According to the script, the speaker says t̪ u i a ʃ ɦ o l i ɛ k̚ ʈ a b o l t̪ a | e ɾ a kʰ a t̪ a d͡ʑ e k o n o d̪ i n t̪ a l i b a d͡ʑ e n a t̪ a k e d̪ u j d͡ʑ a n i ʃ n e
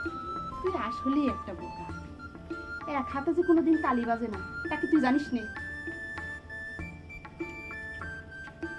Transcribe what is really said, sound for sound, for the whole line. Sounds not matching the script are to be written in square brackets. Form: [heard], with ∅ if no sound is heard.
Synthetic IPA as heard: t̪ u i a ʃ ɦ o l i ɛ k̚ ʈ a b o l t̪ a | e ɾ a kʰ a t̪ a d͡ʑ e k o n o d̪ i n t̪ a l i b a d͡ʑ e n a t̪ a k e [t̪] u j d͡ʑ a n i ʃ n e